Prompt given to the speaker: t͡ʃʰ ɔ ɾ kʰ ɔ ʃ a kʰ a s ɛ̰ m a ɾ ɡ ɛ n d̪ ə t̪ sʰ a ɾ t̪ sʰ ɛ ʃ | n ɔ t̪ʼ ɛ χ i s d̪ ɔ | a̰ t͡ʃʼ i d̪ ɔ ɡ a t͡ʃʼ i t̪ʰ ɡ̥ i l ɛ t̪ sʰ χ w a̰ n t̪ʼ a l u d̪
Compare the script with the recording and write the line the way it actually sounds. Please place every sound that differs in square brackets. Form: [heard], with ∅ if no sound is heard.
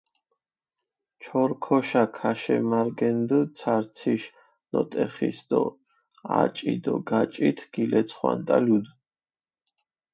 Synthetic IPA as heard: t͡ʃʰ ɔ ɾ kʰ ɔ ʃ a kʰ a [ʃ] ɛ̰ m a ɾ ɡ ɛ n d̪ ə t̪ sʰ a ɾ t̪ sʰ [i] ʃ | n ɔ t̪ʼ ɛ χ i s d̪ ɔ | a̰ t͡ʃʼ i d̪ ɔ ɡ a t͡ʃʼ i t̪ʰ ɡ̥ i l ɛ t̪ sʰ χ w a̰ n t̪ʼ a l u d̪